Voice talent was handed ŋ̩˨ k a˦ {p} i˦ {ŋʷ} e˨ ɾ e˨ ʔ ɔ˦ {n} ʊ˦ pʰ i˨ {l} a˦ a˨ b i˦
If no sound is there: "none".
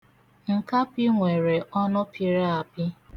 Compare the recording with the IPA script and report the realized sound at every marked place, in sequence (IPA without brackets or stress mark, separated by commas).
p, ŋʷ, n, ɾ